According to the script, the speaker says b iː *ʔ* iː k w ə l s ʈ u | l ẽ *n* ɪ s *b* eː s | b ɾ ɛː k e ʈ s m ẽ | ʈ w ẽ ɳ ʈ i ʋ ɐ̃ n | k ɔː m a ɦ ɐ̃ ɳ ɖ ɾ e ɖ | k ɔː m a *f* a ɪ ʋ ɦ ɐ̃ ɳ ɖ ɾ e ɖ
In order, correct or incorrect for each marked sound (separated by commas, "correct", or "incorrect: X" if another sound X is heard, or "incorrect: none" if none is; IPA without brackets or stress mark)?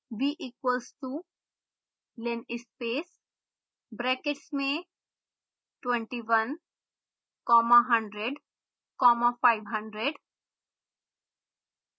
correct, correct, incorrect: p, correct